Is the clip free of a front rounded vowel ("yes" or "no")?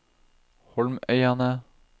no